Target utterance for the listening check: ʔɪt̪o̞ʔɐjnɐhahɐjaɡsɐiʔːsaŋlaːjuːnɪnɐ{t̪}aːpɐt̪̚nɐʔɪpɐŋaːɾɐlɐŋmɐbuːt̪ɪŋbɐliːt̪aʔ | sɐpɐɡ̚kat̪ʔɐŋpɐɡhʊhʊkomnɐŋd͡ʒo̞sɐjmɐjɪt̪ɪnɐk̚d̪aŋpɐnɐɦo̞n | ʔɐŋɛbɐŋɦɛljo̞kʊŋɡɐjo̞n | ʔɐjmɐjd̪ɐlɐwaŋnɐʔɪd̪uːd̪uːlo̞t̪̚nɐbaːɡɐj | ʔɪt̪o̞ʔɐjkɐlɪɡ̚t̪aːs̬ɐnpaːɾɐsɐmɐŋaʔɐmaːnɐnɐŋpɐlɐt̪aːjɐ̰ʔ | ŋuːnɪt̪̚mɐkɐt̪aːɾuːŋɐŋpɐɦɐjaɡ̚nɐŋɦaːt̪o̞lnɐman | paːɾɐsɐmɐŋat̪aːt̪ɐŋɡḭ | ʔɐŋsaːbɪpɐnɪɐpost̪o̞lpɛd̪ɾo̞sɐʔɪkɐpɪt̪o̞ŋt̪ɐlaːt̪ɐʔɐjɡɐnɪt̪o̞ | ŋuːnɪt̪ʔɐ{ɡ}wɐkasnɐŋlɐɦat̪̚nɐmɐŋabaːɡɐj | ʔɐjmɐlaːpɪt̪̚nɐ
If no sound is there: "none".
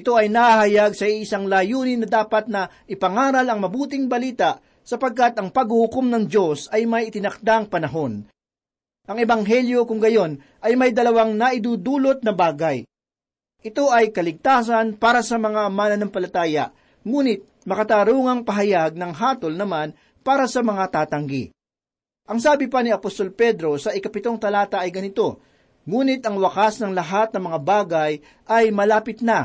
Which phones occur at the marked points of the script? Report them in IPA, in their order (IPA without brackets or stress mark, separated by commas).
d̪, ŋ